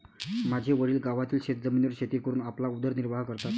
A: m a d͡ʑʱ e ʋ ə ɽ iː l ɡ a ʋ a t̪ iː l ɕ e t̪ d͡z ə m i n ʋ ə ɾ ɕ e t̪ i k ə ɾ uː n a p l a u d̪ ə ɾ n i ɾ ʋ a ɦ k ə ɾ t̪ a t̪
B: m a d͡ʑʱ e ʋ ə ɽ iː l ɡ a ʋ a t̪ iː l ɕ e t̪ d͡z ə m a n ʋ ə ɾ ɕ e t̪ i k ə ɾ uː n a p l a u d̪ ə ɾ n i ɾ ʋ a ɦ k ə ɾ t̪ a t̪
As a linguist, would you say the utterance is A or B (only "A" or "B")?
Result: A